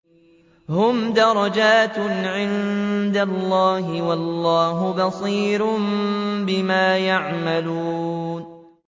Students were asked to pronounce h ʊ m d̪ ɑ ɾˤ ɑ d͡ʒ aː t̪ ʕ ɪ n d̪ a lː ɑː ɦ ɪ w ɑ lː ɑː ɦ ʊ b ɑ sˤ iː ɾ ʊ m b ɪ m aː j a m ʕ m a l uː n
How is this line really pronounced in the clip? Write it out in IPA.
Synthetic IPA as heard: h ʊ m d̪ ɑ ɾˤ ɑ d͡ʒ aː t̪ ʕ ɪ n d̪ a lː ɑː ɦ ɪ w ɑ lː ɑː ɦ ʊ b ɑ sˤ iː ɾ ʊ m b ɪ m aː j a ʕ m a l uː n